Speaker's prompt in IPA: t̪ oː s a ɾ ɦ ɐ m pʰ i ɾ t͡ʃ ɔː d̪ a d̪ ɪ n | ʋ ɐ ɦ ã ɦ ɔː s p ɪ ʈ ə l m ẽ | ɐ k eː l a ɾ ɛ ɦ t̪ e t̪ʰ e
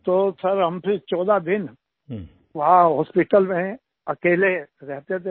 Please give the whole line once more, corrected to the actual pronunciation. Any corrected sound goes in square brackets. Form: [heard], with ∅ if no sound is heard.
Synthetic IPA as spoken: t̪ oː s [ɐ] ɾ ɦ ɐ m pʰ [ɪ] ɾ t͡ʃ ɔː d̪ a d̪ ɪ n | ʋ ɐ ɦ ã ɦ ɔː s p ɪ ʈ ə l m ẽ | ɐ k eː l [e] ɾ ɛ ɦ t̪ e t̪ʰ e